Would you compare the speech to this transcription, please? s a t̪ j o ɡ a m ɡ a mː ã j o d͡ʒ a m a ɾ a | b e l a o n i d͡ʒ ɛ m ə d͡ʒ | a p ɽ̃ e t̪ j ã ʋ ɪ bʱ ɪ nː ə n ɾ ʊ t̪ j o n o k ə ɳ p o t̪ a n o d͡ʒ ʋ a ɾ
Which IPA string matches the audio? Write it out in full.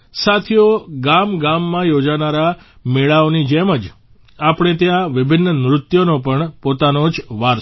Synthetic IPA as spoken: s a t̪ʰ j o ɡ a m ɡ a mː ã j o d͡ʒ a n a ɾ a | m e ɭ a o n i d͡ʒ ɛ m ə d͡ʒ | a p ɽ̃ e t̪ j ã ʋ ɪ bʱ ɪ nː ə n ɾ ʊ t̪ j o n o p ə ɳ p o t̪ a n o d͡ʒ ʋ a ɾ